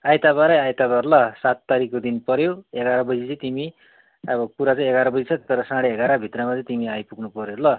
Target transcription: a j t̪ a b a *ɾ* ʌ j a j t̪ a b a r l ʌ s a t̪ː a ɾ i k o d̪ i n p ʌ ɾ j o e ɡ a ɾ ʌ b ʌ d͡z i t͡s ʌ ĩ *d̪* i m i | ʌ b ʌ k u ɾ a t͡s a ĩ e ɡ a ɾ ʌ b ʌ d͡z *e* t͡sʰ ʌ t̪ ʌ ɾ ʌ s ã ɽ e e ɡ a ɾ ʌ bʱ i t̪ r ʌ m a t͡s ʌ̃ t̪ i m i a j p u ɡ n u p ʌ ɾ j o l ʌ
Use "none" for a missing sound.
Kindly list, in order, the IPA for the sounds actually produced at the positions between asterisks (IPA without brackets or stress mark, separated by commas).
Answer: ɾ, t̪, i